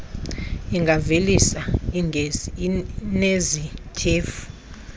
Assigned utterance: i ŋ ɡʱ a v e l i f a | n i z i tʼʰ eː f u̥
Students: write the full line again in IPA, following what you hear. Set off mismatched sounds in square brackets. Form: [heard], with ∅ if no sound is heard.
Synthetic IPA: i ŋ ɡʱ a v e l i [s] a | n [e] z i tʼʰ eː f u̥

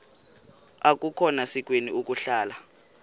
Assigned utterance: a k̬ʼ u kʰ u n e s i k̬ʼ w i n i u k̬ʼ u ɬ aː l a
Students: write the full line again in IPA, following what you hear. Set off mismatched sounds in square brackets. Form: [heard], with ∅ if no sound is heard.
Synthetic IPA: a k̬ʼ u kʰ [ɔ] n [a] s i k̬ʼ w [e] n i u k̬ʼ u ɬ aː l a

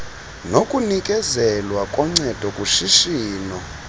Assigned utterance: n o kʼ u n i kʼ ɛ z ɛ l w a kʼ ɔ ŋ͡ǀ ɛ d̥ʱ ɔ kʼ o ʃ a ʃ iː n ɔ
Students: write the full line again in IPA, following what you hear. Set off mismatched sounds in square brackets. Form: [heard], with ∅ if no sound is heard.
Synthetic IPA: n o kʼ u n i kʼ ɛ z ɛ l w a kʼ ɔ ŋ͡ǀ ɛ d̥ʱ ɔ kʼ [u] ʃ [i] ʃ iː n ɔ

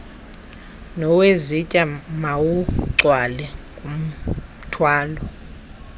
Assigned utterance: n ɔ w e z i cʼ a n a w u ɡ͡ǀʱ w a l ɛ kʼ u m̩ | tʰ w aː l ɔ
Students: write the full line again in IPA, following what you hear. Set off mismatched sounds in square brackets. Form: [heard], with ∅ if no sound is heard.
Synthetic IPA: n ɔ w e z i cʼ a [m] a w u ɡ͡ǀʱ w a l ɛ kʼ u m̩ | tʰ w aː l ɔ

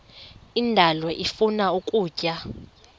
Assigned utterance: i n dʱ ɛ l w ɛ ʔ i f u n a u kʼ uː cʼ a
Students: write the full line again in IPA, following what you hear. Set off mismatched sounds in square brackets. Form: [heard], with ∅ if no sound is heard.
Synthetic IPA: i n dʱ [a] l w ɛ ʔ i f u n a u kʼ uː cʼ a

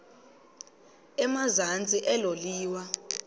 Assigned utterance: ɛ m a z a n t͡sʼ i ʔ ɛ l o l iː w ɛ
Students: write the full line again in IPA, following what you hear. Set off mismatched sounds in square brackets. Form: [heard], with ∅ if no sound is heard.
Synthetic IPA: ɛ m a z a n t͡sʼ i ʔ ɛ l o l iː w [a]

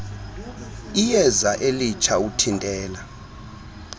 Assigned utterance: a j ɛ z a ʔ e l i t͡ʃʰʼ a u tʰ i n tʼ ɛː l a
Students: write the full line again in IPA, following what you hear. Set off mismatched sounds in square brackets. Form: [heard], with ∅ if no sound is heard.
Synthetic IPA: [i] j ɛ z a ʔ e l i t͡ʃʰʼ a u tʰ i n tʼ ɛː l a

